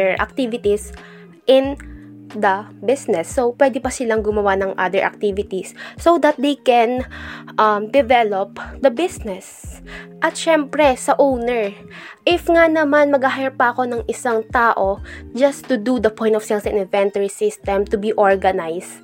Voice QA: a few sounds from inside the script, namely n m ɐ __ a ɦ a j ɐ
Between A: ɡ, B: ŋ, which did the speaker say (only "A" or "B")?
A